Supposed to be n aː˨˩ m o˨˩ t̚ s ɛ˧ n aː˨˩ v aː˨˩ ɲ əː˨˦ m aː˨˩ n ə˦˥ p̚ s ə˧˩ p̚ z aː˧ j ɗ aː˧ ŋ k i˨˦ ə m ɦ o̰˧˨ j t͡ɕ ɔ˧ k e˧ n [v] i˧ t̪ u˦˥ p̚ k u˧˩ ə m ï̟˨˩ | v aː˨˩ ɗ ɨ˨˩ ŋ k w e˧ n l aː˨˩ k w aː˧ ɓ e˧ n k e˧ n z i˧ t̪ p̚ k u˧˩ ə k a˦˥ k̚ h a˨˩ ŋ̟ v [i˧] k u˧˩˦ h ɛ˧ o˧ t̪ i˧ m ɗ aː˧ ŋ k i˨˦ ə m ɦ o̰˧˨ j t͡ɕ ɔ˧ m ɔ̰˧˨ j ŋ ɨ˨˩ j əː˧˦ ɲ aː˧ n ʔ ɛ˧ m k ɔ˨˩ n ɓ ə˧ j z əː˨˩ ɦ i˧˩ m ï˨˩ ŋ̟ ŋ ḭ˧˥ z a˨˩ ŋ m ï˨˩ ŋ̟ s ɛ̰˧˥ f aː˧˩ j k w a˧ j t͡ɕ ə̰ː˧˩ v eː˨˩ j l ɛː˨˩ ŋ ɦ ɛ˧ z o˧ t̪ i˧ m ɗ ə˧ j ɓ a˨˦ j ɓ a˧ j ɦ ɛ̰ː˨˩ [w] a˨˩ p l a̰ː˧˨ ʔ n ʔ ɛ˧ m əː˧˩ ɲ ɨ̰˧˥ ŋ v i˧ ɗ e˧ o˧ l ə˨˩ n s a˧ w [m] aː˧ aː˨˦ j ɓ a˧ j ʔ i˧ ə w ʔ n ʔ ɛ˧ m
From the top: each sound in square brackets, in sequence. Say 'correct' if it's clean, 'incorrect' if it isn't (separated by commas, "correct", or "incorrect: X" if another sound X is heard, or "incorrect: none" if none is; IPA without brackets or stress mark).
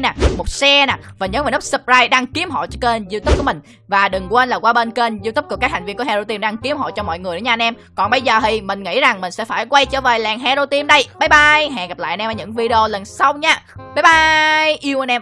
incorrect: z, correct, incorrect: ɣ, incorrect: ɲ